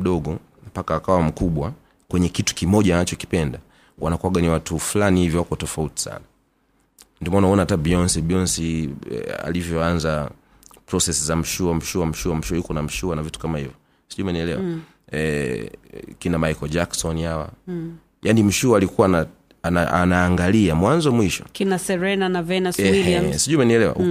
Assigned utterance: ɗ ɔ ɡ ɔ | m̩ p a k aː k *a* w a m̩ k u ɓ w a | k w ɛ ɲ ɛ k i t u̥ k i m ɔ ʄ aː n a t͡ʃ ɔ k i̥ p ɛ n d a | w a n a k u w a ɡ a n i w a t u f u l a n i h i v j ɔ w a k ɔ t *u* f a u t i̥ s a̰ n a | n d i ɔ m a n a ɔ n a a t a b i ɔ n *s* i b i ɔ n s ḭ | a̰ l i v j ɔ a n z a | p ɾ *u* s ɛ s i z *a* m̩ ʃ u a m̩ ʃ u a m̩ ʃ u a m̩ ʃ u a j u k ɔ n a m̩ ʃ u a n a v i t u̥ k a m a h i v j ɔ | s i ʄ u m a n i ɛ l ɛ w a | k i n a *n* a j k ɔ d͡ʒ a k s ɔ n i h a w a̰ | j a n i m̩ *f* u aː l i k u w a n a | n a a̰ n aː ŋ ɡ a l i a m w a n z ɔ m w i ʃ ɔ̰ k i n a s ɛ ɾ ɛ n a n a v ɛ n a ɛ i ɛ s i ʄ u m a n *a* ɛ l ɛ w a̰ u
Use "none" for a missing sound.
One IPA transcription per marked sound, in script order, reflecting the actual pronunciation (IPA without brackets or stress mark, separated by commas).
a, ɔ, s, ɔ, a, m, ʃ, i